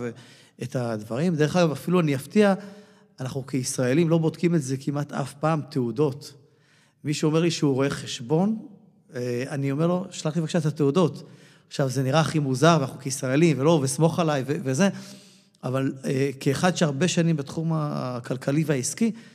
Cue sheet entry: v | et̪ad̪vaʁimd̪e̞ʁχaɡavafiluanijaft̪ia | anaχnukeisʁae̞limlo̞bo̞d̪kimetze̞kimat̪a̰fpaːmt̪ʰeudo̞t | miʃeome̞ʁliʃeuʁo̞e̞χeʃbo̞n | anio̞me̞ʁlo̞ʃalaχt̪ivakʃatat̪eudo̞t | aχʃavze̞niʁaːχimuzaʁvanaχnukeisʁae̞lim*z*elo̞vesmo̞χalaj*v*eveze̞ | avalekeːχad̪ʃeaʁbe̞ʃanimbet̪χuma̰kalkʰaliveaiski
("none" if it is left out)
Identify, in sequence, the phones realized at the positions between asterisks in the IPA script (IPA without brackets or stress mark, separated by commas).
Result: v, v